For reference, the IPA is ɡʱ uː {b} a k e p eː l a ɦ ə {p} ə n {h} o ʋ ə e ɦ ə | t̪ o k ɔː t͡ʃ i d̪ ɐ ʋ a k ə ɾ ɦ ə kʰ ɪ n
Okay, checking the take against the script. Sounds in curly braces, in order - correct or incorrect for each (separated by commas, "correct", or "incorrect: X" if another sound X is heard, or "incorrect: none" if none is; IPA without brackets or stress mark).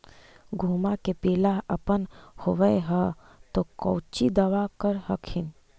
incorrect: m, correct, correct